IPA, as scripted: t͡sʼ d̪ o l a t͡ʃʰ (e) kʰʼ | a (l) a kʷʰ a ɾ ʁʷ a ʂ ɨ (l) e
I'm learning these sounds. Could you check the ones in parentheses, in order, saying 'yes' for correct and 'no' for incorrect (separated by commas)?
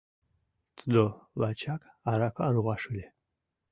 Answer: no, no, yes